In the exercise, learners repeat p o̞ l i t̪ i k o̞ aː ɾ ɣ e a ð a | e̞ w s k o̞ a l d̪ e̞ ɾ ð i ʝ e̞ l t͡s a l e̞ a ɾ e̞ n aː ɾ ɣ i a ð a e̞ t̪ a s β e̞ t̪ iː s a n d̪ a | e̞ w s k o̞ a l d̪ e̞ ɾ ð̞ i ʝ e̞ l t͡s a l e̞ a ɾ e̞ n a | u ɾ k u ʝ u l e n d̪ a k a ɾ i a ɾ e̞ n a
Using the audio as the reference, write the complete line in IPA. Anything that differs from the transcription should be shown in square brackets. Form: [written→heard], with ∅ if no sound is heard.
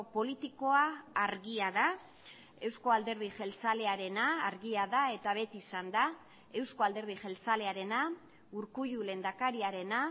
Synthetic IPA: p o̞ l i t̪ i k o̞ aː ɾ ɣ [e→i] a ð a | e̞ w s k o̞ a l d̪ e̞ ɾ ð i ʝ e̞ l t͡s a l e̞ a ɾ e̞ n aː ɾ ɣ i a ð a e̞ t̪ a [s→∅] β e̞ t̪ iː s a n d̪ a | e̞ w s k o̞ a l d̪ e̞ ɾ ð̞ i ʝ e̞ l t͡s a l e̞ a ɾ e̞ n a | u ɾ k u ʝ u l e n d̪ a k a ɾ i a ɾ e̞ n a